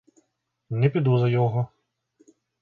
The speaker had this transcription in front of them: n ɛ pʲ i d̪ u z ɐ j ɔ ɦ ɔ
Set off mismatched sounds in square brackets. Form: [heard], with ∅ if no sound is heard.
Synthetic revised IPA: n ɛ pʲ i d̪ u z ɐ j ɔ ɦ ɔ